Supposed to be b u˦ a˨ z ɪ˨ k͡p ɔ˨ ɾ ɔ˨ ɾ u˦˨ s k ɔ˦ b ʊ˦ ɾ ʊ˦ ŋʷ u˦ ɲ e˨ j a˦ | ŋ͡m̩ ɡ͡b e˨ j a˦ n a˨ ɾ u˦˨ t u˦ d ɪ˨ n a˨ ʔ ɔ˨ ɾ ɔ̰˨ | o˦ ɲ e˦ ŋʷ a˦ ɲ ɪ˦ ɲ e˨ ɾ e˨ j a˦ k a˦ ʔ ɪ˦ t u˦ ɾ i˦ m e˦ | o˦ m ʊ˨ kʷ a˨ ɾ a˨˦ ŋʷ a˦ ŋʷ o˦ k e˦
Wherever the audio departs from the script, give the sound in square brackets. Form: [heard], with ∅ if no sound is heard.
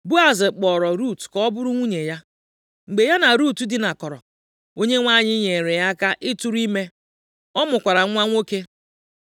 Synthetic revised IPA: b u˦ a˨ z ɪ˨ k͡p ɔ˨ ɾ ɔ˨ ɾ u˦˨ [t] k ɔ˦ b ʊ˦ ɾ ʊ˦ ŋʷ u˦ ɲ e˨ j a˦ | ŋ͡m̩ ɡ͡b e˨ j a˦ n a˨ ɾ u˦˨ t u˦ d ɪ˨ n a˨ [k] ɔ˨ ɾ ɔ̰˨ | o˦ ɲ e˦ ŋʷ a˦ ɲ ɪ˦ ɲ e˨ ɾ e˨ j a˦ k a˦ ʔ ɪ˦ t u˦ ɾ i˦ m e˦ | [ɔ˦] m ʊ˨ kʷ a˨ ɾ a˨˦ ŋʷ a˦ ŋʷ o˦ k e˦